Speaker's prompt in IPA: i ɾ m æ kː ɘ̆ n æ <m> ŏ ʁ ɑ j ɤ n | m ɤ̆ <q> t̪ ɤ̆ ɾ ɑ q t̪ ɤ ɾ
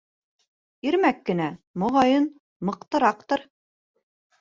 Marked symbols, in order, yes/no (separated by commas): yes, yes